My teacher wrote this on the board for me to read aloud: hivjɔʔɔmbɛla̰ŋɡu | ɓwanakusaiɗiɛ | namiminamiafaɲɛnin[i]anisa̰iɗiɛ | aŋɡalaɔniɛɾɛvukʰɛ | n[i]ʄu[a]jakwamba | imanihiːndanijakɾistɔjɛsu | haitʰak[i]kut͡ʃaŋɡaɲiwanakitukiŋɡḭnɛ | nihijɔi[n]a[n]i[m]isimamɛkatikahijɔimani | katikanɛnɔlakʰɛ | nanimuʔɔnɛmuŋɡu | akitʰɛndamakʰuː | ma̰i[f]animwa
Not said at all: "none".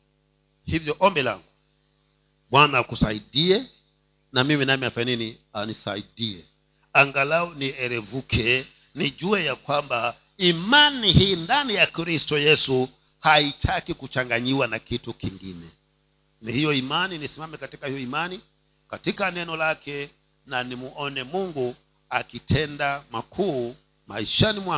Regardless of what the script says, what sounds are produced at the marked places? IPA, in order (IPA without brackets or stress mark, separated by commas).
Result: i, i, ɛ, i, m, n, n, ʃ